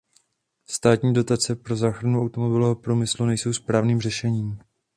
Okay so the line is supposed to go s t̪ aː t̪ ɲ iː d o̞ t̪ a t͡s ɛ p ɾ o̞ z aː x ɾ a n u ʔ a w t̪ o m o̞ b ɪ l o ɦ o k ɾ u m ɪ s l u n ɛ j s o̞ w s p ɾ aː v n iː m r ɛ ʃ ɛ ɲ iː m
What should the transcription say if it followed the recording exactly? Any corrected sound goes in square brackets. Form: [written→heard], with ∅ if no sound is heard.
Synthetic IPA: s t̪ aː t̪ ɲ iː d o̞ t̪ a t͡s ɛ p ɾ o̞ z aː x ɾ a n u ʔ a w t̪ o m o̞ b ɪ l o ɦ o [k→p] ɾ u m ɪ s l u n ɛ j s o̞ w s p ɾ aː v n iː m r ɛ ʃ ɛ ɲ iː m